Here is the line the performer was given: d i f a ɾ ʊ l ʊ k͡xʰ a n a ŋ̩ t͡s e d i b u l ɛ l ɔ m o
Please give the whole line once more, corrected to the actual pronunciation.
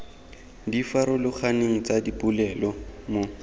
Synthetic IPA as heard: d i f a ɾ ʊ l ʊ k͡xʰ a n e ŋ̩ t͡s a d i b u l ɛ l ɔ m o